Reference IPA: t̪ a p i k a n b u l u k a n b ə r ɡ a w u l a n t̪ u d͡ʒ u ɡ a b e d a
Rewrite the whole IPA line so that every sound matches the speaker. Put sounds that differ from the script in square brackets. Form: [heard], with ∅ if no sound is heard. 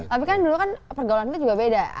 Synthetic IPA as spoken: t̪ a p i k a n [d] u l u k a n [p] ə r ɡ a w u l a n t̪ u d͡ʒ u ɡ a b e d a